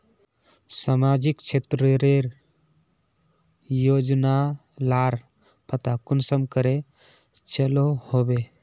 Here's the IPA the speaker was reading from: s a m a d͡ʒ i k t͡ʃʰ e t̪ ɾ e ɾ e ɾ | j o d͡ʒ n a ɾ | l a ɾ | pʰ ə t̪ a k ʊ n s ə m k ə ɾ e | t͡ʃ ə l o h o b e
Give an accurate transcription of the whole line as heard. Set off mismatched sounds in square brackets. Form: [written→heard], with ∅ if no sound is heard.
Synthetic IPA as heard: s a m a d͡ʒ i k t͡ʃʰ e t̪ ɾ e ɾ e ɾ | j o d͡ʒ n a [ɾ→∅] | l a ɾ | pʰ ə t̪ a k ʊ n s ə m k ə ɾ e | t͡ʃ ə l o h o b e